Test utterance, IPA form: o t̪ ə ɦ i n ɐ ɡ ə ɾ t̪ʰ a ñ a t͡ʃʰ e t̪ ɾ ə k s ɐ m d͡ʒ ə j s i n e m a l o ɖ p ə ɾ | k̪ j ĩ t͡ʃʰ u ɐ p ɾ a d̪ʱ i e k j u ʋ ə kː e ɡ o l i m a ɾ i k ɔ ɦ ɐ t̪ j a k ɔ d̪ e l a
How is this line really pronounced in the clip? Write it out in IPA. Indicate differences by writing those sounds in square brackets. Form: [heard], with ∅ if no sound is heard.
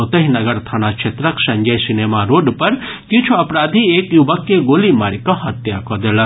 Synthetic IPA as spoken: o t̪ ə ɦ i n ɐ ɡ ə ɾ t̪ʰ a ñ a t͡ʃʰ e t̪ ɾ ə k s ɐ [ɲ] d͡ʒ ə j s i n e m a [ɾ] o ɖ p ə ɾ | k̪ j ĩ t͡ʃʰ u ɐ p ɾ a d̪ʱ i e k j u ʋ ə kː e ɡ o l i m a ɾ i k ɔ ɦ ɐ t̪ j a k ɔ d̪ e l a